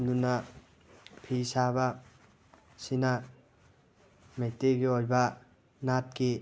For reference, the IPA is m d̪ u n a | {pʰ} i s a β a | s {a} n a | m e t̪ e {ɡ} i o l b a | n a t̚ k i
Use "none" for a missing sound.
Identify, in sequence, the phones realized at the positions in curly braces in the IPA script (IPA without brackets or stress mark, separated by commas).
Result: pʰ, i, ɡ